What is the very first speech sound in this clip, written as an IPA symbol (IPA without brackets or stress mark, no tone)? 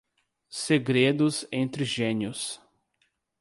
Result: s